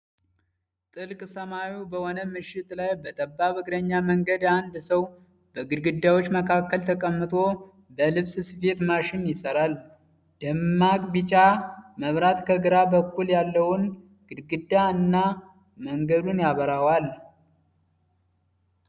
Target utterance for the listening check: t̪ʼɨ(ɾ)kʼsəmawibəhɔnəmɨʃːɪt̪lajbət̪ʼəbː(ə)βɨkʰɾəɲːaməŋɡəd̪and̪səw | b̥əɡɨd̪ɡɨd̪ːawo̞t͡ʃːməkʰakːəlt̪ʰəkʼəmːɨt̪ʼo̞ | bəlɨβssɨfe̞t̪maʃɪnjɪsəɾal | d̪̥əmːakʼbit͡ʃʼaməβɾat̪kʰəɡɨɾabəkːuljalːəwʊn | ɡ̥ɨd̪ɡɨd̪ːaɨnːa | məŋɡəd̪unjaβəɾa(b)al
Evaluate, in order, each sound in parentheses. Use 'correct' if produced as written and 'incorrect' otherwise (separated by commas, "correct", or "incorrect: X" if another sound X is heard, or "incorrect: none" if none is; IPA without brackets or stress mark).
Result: incorrect: l, incorrect: a, incorrect: w